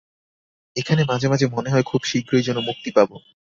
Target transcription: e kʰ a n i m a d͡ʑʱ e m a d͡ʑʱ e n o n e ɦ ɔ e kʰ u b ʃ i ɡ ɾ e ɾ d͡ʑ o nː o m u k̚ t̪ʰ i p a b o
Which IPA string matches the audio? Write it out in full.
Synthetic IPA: e kʰ a n e m a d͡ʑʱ e m a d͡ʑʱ e m o n e ɦ ɔ e kʰ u b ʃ i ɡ ɾ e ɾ d͡ʑ o nː o m u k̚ t̪ i p a b o